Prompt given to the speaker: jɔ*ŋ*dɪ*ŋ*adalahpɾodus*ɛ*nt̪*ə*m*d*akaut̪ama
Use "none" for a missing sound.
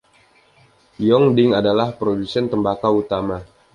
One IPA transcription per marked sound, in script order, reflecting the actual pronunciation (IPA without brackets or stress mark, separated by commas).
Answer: ŋ, ŋ, ɛ, ə, b